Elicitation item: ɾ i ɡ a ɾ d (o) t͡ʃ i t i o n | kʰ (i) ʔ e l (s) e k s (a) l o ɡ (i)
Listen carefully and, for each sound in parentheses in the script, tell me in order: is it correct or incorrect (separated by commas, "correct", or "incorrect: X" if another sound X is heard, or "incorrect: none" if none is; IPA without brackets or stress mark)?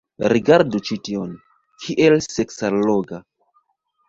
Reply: incorrect: u, correct, correct, correct, incorrect: a